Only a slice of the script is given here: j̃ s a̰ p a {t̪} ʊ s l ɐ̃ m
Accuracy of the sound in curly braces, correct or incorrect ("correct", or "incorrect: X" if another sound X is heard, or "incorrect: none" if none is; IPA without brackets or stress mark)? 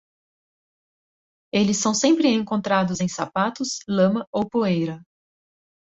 correct